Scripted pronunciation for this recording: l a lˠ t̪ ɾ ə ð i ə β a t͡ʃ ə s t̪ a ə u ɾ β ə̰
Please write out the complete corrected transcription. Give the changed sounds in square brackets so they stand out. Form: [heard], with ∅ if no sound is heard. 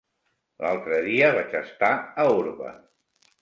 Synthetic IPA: l a lˠ t̪ ɾ ə ð i ə β a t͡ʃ ə s t̪ a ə u ɾ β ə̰